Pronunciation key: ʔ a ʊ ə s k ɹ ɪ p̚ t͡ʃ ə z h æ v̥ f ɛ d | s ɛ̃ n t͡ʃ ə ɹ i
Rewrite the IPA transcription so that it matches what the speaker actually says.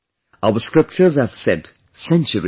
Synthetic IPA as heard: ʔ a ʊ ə s k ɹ ɪ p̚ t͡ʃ ə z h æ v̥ s ɛ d | s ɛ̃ n t͡ʃ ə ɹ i